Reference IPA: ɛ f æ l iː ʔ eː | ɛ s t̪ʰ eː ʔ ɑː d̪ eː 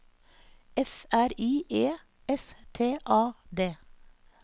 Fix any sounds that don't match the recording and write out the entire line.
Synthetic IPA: ɛ f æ ɾ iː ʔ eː | ɛ s t̪ʰ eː ʔ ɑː d̪ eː